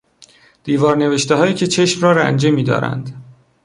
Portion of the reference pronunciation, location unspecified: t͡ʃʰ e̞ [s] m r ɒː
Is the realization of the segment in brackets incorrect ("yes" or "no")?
yes